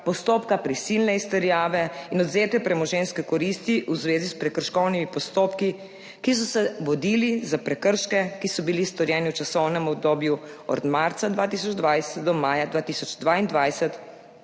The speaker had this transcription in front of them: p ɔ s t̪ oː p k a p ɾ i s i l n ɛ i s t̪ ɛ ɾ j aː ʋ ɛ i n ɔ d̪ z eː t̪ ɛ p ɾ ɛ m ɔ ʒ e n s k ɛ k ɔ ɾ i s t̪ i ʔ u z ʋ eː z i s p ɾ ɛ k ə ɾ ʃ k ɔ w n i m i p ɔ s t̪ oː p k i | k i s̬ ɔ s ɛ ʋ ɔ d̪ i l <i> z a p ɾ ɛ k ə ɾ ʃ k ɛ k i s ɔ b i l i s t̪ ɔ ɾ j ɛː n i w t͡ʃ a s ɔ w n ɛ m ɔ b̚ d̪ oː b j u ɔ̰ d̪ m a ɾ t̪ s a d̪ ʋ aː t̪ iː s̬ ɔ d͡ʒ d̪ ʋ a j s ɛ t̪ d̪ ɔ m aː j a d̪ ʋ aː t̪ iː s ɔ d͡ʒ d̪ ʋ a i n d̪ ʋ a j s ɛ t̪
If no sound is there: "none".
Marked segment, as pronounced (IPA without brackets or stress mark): i